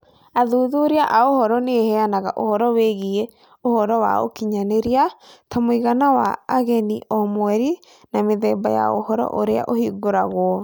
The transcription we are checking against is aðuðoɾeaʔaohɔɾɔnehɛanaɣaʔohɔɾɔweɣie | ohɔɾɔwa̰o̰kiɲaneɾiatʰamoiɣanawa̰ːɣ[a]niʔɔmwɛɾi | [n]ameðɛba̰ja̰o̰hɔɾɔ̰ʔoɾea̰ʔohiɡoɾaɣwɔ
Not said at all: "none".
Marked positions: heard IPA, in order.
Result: ɛ, n

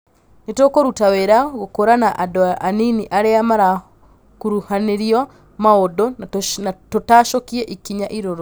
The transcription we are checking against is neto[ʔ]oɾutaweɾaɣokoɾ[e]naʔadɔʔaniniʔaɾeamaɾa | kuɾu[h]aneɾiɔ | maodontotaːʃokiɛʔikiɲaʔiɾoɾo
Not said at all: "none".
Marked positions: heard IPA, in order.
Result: k, a, h

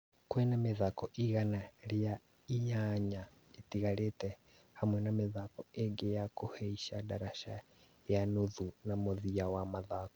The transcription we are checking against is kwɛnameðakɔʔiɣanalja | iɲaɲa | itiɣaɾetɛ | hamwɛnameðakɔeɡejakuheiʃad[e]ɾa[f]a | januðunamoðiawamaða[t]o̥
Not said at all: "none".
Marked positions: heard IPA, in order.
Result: a, ʃ, k

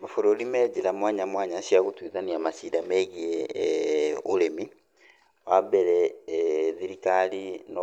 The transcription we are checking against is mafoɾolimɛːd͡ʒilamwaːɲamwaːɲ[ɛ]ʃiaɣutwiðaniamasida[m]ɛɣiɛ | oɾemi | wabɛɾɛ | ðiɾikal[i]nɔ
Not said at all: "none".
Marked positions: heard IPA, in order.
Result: a, m, i

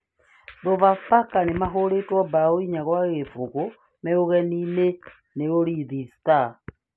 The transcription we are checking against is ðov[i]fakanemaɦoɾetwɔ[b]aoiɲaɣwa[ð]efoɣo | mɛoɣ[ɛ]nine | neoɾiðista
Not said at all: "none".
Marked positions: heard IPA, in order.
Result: a, b, ɣ, ɛ

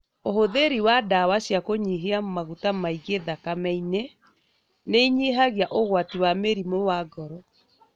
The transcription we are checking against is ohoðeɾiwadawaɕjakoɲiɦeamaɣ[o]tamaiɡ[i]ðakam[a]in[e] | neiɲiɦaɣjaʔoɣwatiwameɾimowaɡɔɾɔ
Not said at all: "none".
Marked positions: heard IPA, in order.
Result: u, e, ɛ, e

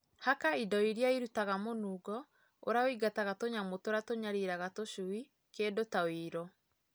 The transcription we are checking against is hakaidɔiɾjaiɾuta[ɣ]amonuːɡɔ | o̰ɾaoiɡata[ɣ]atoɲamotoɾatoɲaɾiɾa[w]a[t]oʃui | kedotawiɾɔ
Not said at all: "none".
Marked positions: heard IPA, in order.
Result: ɣ, ɣ, ɣ, t

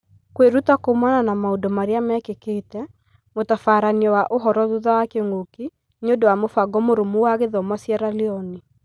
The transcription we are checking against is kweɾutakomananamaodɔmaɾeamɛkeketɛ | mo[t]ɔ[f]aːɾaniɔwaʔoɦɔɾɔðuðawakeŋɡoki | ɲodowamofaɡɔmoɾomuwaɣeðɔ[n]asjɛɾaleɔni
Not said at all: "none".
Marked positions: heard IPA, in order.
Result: t, f, m

